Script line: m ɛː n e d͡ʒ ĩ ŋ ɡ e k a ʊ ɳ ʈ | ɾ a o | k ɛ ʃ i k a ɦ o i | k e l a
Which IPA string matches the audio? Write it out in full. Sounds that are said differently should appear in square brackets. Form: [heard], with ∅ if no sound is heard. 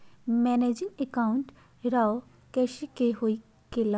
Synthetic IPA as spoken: m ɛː n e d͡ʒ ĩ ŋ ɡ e k a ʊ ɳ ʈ | ɾ a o | k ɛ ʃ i k [e] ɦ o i | k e l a